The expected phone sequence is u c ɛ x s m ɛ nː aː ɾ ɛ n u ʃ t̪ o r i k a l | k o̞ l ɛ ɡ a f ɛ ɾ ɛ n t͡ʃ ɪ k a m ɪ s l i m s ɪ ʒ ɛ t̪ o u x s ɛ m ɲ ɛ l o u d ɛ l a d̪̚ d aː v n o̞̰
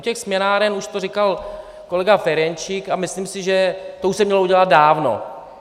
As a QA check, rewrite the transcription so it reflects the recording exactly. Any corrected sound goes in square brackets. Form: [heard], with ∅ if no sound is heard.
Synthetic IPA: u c ɛ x s m ɛ [n] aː ɾ ɛ n u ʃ t̪ o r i k a l | k o̞ l ɛ ɡ a f ɛ ɾ ɛ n t͡ʃ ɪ k a m ɪ s l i m s ɪ ʒ ɛ t̪ o u [ʃ] s ɛ m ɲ ɛ l o u [ɟ] ɛ l a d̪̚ d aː v n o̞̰

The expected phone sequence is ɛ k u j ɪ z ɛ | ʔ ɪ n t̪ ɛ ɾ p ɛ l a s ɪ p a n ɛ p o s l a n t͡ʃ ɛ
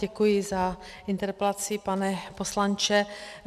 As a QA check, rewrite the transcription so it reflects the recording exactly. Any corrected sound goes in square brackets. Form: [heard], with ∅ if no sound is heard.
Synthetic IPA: ɛ k u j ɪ z [a] | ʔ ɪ n t̪ ɛ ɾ p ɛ l a [t͡s] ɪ p a n ɛ p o s l a n t͡ʃ ɛ

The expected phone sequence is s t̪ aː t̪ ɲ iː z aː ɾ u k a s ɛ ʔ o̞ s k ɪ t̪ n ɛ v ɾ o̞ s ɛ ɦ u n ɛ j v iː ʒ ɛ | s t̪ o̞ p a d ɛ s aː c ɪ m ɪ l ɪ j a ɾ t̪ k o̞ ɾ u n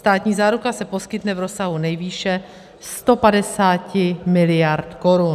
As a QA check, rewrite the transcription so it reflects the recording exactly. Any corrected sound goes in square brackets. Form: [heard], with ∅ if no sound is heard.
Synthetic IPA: s t̪ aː t̪ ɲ iː z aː ɾ u k a s ɛ [p] o̞ s k ɪ t̪ n ɛ v ɾ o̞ s [a] ɦ u n ɛ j v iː [ʃ] ɛ | s t̪ o̞ p a d ɛ s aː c ɪ m ɪ l ɪ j a ɾ t̪ k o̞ ɾ u n

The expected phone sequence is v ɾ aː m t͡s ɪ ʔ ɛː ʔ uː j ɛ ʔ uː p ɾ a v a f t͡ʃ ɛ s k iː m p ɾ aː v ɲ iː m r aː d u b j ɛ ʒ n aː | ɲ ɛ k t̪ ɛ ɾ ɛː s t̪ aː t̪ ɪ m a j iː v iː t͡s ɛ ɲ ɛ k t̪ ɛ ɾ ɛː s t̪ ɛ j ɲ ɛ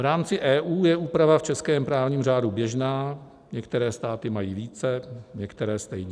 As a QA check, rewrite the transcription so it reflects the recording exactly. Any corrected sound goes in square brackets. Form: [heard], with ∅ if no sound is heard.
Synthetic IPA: v ɾ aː m t͡s ɪ ʔ ɛː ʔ uː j ɛ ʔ uː p ɾ a v a f t͡ʃ ɛ s k [ɛː] m p ɾ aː v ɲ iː m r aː d u b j ɛ ʒ n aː | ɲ ɛ k t̪ ɛ ɾ ɛː s t̪ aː t̪ ɪ m a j iː v iː t͡s ɛ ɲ ɛ k t̪ ɛ ɾ ɛː s t̪ ɛ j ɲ ɛ

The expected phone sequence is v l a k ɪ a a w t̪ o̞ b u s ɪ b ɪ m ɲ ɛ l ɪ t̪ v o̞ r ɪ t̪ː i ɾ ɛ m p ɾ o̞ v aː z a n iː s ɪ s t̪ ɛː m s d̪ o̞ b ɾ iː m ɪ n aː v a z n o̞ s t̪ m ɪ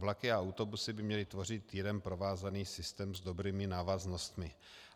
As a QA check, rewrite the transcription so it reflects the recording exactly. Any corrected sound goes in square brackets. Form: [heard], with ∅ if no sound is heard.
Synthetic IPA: v l a k ɪ a a w t̪ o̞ b u s ɪ b ɪ m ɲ ɛ l ɪ t̪ v o̞ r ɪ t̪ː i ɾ ɛ m p ɾ o̞ v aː z a n iː s ɪ s t̪ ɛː m [z] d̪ o̞ b ɾ iː m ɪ n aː v a z n o̞ s t̪ m ɪ

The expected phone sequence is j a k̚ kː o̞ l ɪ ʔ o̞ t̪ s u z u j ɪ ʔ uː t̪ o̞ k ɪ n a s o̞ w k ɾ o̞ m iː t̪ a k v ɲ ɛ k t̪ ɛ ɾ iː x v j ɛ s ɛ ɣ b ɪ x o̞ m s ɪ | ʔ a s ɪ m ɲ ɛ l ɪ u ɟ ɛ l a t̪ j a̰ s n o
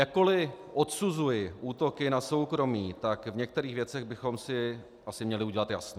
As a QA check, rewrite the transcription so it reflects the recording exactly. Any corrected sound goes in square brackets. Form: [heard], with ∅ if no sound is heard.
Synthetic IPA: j a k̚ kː o̞ l ɪ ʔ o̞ t̪ s u z u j ɪ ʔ uː t̪ o̞ k ɪ n a s o̞ w k ɾ o̞ m iː t̪ a k v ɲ ɛ k t̪ ɛ ɾ iː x v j ɛ [t͡s] ɛ ɣ b ɪ x o̞ m s ɪ | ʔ a s ɪ m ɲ ɛ l ɪ u ɟ ɛ l a t̪ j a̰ s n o

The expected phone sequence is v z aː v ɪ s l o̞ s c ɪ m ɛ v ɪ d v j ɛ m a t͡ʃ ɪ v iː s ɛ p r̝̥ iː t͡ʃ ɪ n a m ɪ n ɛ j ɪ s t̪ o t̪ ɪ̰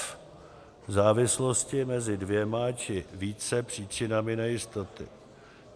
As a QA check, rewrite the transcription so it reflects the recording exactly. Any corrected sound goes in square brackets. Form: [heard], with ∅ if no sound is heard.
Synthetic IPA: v z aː v ɪ s l o̞ s c ɪ m ɛ [z] ɪ d v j ɛ m a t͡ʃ ɪ v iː [t͡s] ɛ p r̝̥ iː t͡ʃ ɪ n a m ɪ n ɛ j ɪ s t̪ o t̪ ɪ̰

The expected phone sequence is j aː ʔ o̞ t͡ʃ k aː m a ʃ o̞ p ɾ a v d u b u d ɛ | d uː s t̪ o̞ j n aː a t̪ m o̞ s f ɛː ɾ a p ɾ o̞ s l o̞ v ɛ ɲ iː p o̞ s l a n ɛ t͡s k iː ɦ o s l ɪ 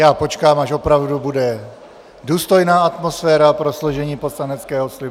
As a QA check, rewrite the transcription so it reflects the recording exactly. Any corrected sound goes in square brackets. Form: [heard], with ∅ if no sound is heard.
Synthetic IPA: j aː [p] o̞ t͡ʃ k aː m a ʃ o̞ p ɾ a v d u b u d ɛ | d uː s t̪ o̞ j n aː a t̪ m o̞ s f ɛː ɾ a p ɾ o̞ s l o̞ [ʒ] ɛ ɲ iː p o̞ s l a n ɛ t͡s k [ɛː] ɦ o s l ɪ

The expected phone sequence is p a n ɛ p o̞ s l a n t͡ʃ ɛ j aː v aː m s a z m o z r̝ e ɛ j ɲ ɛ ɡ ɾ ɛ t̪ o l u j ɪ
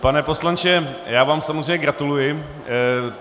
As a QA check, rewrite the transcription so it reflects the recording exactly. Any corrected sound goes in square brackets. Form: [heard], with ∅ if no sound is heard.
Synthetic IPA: p a n ɛ p o̞ s l a n t͡ʃ ɛ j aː v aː m s a [∅] m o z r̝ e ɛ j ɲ ɛ ɡ ɾ [a] t̪ [u] l u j ɪ

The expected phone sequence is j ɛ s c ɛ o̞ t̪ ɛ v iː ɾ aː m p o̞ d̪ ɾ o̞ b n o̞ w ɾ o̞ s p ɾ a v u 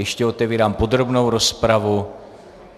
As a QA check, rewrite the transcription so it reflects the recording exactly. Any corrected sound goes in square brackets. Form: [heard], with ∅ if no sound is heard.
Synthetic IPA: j ɛ [ʃ] c ɛ o̞ t̪ ɛ v iː ɾ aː m p o̞ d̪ ɾ o̞ b n o̞ w ɾ o̞ s p ɾ a v u

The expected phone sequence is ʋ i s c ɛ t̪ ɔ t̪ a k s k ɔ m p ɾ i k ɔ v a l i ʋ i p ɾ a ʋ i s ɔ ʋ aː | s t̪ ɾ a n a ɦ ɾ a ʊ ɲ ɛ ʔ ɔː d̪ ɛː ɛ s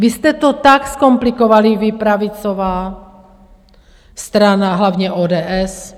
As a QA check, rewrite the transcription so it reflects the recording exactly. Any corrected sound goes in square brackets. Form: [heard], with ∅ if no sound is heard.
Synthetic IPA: ʋ i s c ɛ t̪ ɔ t̪ a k s k ɔ m p [l] i k ɔ [ʋ] a l i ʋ i p ɾ a ʋ i [t͡s] ɔ ʋ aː | s t̪ ɾ a n a ɦ [l] a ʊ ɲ ɛ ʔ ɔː d̪ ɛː ɛ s

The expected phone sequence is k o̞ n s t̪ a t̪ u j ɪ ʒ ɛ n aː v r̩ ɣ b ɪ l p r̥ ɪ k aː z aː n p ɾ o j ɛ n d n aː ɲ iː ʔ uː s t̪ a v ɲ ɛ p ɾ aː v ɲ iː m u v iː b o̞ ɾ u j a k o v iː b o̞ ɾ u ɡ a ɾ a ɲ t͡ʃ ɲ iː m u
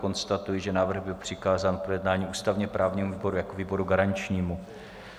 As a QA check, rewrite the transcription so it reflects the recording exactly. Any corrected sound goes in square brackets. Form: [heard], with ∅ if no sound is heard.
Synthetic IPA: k o̞ n s t̪ a t̪ u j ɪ ʒ ɛ n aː v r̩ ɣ b ɪ l p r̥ ɪ k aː z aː n p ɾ o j ɛ [∅] d n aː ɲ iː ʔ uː s t̪ a v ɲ ɛ p ɾ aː v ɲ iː m u v iː b o̞ ɾ u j a k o v iː b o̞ ɾ u ɡ a ɾ a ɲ t͡ʃ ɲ iː m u

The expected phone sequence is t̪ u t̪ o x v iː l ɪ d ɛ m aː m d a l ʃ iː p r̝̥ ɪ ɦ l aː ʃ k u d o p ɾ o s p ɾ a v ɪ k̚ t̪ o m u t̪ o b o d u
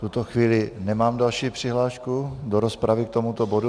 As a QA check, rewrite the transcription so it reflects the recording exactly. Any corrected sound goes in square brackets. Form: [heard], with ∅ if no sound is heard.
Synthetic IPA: t̪ u t̪ o x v iː l ɪ [n] ɛ m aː m d a l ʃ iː p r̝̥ ɪ ɦ l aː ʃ k u d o [∅] ɾ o s p ɾ a v ɪ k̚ t̪ o m u t̪ o b o d u

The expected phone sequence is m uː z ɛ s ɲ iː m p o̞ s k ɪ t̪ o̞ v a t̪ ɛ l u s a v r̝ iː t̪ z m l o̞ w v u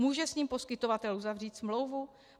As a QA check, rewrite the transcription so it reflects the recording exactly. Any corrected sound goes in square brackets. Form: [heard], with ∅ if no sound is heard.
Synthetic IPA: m uː [ʒ] ɛ s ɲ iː m p o̞ s k ɪ t̪ o̞ v a t̪ ɛ l u [z] a v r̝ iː t̪ [s] m l o̞ w v u

